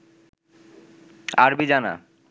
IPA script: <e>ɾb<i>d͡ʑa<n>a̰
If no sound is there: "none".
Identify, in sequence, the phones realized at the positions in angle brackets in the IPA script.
a, i, n

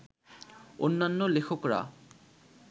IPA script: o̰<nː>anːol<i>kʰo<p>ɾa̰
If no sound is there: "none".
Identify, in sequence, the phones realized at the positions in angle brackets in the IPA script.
nː, e, k

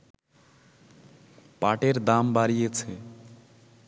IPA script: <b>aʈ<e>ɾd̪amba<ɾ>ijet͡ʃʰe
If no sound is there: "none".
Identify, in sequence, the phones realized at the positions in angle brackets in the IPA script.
p, e, ɾ

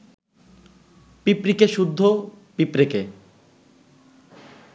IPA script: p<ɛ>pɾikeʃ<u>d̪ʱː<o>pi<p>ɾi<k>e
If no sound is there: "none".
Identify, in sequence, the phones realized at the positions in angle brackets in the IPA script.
i, u, o, p, k

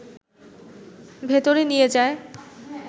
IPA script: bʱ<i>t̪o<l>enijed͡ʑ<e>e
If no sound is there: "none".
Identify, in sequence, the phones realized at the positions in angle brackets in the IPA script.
e, ɾ, a

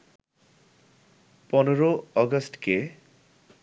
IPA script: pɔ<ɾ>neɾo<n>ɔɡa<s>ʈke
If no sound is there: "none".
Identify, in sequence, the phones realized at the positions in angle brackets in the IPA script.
none, none, s

